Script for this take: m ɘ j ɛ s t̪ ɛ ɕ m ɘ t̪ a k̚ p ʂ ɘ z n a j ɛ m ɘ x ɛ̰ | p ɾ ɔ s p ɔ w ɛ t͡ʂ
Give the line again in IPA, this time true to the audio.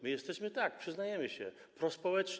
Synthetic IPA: m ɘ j ɛ s t̪ ɛ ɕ m ɘ t̪ a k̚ p ʂ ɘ z n a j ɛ m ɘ ɕ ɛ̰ | p ɾ ɔ s p ɔ w ɛ t͡ʂ